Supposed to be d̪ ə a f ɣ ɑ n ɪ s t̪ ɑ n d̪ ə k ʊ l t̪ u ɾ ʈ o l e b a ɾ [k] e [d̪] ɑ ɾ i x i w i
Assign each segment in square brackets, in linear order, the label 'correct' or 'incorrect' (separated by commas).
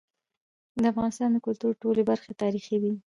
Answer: incorrect, incorrect